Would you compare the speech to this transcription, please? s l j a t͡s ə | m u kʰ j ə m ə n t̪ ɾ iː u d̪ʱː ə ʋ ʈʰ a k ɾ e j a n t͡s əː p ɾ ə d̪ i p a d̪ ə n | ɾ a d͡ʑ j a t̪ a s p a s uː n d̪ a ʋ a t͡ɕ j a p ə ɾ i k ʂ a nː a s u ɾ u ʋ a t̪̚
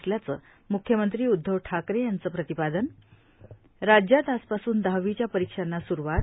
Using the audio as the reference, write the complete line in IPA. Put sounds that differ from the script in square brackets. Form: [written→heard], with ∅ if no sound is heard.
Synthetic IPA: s l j a t͡s ə | m u kʰ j ə m ə n t̪ ɾ iː u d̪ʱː ə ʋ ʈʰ a k ɾ e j a n t͡s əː p ɾ ə [d̪→t̪] i p a d̪ ə n | ɾ a d͡ʑ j a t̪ a s p a s uː n d̪ a ʋ [a→i] t͡ɕ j a p ə ɾ i k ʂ a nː a s u ɾ u ʋ a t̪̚